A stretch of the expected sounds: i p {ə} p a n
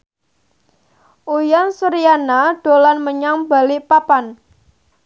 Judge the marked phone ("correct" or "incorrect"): incorrect